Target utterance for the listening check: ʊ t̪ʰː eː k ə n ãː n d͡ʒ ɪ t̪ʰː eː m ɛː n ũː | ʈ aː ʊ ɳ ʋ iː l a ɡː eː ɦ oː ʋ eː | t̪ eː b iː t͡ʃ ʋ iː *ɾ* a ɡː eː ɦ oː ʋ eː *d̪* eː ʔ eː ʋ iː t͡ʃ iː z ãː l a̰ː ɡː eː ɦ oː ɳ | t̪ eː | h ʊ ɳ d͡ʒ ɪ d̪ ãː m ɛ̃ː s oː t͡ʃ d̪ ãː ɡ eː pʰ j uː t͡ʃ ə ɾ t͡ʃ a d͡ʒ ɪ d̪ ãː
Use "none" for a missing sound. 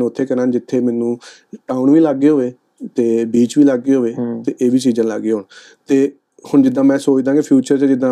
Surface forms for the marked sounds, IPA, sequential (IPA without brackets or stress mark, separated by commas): l, t̪